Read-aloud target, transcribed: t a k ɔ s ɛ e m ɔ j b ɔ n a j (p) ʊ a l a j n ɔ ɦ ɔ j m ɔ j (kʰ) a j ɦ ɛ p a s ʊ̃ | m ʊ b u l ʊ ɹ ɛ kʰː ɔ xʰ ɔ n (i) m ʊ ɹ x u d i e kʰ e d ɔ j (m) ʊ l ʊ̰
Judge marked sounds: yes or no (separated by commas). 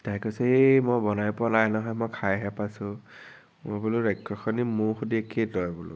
yes, yes, yes, no